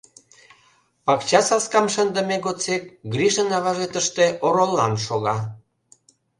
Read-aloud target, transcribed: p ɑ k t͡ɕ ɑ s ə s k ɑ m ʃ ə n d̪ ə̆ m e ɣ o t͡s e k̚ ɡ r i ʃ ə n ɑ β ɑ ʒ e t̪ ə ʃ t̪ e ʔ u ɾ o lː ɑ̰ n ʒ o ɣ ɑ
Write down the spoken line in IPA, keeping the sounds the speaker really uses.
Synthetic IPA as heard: p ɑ k t͡ɕ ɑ s ɑ s k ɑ m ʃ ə n d̪ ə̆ m e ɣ o t͡s e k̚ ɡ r i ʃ ə n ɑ β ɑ ʒ e t̪ ə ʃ t̪ e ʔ o ɾ o lː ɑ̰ n ʃ o ɣ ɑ